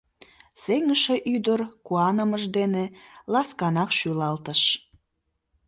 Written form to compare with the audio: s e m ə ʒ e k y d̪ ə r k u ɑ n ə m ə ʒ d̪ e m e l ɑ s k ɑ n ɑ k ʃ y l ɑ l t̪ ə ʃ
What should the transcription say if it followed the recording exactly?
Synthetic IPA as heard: s e ŋ ə ʃ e ʔ y d̪ ə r k u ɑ n ə m ə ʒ d̪ e n e l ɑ s k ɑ n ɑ k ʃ y l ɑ l t̪ ə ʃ

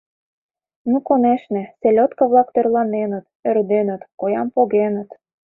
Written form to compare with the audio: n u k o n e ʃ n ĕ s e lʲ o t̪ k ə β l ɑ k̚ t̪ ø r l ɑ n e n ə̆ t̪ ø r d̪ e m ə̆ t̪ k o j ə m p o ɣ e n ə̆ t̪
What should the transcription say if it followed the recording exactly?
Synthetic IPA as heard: n u k o n e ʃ n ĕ s e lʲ o t̪ k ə β l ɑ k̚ t̪ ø r l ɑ n e n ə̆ t̪ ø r d̪ e n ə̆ t̪ k o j ɑ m p o ɣ e n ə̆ t̪

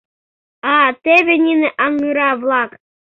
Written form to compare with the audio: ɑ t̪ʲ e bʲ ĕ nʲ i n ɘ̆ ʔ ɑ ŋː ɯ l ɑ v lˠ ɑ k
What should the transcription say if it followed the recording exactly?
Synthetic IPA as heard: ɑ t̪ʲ e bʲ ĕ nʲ i n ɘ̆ ʔ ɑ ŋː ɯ ɾ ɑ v lˠ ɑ k

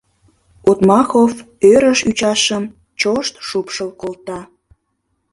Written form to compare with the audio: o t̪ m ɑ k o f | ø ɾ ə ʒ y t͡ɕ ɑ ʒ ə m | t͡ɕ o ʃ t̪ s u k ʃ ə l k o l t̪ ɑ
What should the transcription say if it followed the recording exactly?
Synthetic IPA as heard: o t̪ m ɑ x o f | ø ɾ ə ʃ y t͡ɕ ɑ ʃ ə m | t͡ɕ o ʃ t̪ ʃ u p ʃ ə l k o l t̪ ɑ

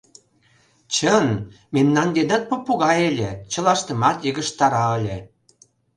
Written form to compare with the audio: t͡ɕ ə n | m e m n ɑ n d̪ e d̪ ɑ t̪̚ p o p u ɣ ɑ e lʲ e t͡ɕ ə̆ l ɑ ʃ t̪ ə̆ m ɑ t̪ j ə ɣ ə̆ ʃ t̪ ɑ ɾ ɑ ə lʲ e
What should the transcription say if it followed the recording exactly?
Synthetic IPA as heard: t͡ɕ ə n | m e m n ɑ n d̪ e d̪ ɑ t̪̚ p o p u ɣ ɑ e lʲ e t͡ɕ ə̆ l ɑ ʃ t̪ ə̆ m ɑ t̪ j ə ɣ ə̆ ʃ t̪ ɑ ɾ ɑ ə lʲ e

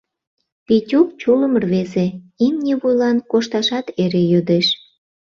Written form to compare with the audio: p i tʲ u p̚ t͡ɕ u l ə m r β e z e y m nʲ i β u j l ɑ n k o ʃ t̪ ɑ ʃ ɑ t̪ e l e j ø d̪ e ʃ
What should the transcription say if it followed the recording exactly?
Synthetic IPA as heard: p i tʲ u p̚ t͡ɕ u l ə m r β e z e i m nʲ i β u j l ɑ n k o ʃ t̪ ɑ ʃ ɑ t̪ e ɾ e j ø d̪ e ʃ

